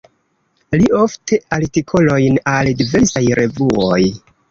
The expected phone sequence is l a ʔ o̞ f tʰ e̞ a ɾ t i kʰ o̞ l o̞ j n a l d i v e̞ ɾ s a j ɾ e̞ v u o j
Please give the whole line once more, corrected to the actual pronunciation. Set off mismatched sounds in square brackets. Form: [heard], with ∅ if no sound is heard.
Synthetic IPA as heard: l [i] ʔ o̞ f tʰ e̞ a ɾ t i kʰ o̞ l o̞ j n a l d i v e̞ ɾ s a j ɾ e̞ v u o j